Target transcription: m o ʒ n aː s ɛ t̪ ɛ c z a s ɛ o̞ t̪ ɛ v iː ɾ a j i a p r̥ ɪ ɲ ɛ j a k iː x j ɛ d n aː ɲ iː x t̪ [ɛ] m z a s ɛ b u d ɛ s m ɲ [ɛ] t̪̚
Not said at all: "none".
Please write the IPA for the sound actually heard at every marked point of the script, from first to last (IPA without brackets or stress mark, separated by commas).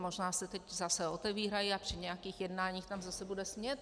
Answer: a, ɛ